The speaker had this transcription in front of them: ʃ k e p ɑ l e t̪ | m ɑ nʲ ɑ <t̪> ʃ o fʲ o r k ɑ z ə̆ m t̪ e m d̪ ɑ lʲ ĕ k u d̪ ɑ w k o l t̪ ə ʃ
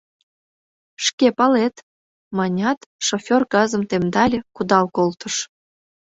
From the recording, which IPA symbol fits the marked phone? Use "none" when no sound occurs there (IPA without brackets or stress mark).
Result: t̪